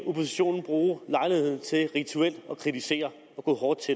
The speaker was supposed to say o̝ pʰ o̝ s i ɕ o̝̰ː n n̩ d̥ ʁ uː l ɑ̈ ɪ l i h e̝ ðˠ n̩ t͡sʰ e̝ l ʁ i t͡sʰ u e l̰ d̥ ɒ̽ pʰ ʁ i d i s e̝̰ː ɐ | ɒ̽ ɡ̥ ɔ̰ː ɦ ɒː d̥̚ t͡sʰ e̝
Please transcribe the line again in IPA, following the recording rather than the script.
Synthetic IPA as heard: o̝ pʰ o̝ s i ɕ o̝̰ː n n̩ b̥ ʁ uː l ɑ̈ ɪ l i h e̝ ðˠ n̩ t͡sʰ e̝ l ʁ i t͡sʰ u e l̰ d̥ ɒ̽ kʰ ʁ i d i s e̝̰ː ɐ | ɒ̽ ɡ̥ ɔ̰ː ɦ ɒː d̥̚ t͡sʰ e̝